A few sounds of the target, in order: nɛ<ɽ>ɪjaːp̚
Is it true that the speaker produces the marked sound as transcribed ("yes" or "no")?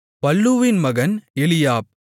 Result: no